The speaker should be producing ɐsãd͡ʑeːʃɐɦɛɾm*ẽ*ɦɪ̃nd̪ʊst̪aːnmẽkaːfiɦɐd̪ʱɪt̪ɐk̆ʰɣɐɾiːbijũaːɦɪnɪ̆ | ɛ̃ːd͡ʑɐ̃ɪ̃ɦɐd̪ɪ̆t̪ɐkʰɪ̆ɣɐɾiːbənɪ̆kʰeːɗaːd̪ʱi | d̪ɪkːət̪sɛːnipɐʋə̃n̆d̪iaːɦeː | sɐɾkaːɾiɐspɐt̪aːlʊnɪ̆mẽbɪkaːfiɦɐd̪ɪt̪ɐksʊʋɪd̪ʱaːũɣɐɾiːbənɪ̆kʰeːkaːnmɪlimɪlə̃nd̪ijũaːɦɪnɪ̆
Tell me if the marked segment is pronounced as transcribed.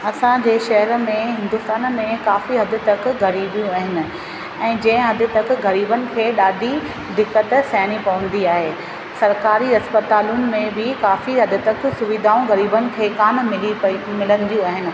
yes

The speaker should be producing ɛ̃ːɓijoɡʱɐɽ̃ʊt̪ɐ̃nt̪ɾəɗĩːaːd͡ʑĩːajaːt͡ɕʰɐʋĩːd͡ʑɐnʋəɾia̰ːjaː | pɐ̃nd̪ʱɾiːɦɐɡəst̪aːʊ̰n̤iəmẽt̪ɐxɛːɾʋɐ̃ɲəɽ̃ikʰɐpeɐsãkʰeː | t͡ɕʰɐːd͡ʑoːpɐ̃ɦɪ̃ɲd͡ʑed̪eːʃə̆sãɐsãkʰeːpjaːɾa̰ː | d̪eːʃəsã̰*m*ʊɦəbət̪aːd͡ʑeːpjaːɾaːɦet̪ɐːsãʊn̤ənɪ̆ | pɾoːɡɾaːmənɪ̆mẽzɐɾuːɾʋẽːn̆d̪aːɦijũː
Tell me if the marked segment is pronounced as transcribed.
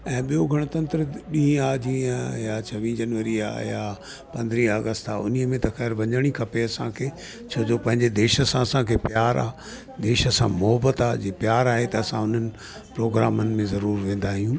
yes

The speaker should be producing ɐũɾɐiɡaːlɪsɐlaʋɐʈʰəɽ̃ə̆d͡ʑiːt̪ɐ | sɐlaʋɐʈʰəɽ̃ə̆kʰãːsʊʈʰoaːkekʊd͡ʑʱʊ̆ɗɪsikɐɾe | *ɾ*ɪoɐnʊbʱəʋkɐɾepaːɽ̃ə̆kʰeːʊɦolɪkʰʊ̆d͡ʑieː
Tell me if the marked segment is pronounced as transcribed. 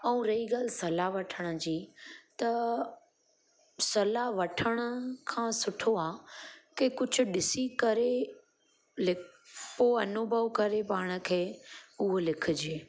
no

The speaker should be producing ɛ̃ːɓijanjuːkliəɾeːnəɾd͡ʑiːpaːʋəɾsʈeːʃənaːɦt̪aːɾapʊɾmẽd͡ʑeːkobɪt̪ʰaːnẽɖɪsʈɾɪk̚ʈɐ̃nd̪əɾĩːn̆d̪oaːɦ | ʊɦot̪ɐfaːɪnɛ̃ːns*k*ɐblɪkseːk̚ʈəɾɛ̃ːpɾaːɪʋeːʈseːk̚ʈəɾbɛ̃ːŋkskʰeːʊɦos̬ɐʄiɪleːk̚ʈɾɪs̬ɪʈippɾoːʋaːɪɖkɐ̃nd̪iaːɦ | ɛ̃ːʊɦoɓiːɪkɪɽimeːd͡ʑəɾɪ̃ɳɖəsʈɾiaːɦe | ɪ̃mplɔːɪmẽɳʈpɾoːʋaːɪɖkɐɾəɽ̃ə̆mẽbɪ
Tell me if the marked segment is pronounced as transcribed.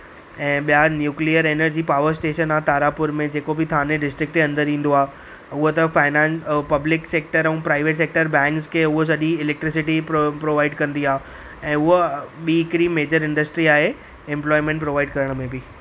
no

